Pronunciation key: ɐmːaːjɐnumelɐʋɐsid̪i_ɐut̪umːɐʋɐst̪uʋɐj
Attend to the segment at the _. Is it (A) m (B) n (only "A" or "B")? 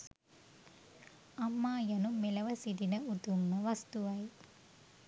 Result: B